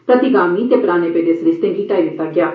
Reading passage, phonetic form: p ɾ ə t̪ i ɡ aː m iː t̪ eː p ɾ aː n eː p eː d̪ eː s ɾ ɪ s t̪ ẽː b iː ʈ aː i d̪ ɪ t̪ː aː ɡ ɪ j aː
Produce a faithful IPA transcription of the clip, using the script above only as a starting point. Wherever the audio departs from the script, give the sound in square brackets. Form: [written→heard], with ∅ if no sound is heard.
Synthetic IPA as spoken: p ɾ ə t̪ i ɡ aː m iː t̪ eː p ɾ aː n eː p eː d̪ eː s ɾ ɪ s t̪ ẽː [b→ɡ] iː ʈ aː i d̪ ɪ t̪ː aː ɡ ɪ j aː